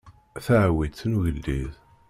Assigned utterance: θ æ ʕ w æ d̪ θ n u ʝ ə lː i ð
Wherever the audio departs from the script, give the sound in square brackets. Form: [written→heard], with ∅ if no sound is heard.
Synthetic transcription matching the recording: θ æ ʕ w [æ→i] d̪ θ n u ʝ ə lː i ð